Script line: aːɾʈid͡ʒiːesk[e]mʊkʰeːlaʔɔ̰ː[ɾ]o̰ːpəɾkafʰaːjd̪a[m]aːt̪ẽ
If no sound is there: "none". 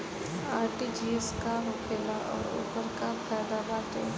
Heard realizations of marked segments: a, ɾ, b

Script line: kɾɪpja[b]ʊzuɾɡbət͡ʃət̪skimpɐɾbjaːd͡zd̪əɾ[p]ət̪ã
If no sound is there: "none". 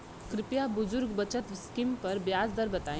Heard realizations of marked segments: b, b

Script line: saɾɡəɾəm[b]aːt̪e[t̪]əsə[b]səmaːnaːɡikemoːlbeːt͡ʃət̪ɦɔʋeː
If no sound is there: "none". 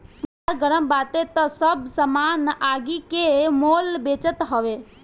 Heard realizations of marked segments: b, t̪, b

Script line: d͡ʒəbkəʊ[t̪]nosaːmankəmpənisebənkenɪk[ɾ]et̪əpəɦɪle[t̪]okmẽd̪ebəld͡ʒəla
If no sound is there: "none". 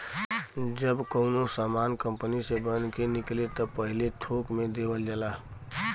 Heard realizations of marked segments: none, l, t̪ʰ

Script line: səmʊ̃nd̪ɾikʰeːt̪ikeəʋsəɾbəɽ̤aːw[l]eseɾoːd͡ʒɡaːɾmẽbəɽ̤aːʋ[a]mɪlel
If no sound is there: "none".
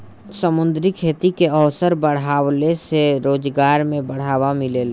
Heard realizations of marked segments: l, a

